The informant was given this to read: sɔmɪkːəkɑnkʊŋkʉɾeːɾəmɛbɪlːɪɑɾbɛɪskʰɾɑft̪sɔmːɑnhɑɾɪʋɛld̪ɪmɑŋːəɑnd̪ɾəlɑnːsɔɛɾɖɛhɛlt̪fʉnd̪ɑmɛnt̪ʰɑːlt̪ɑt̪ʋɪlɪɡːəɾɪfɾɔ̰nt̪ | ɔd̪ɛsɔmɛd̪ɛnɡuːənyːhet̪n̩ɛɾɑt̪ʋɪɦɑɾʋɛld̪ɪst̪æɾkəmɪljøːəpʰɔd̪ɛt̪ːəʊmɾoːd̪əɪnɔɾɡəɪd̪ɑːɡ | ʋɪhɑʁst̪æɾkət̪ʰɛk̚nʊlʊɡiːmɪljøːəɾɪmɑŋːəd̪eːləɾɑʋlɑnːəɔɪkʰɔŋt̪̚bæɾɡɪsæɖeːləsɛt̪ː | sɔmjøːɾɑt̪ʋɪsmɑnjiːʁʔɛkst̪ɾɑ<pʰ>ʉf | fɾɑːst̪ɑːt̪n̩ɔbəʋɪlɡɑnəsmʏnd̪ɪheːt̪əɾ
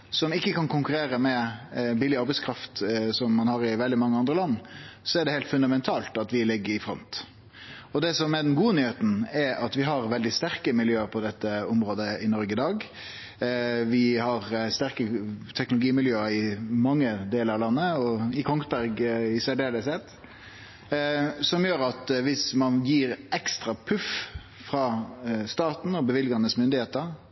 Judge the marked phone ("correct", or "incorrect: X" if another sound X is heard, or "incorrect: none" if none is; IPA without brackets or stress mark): correct